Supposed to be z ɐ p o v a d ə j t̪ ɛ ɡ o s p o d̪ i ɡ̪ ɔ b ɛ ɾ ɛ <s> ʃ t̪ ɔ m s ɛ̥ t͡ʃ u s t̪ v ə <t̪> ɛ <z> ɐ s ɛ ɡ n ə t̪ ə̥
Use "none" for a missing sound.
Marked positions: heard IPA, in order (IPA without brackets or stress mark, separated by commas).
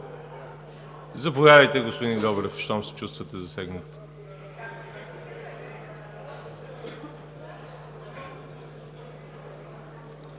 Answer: f, t̪, z